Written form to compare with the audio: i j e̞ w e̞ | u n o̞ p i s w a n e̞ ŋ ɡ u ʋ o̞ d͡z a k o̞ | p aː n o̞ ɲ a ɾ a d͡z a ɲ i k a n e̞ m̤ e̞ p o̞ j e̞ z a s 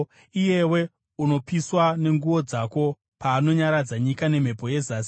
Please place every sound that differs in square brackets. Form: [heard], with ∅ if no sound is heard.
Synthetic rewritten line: i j e̞ w e̞ | u n o̞ p i s w a n e̞ ŋ ɡ u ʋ o̞ d͡z a k o̞ | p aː n o̞ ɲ a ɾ a d͡z a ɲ i k a n e̞ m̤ e̞ p o̞ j e̞ z a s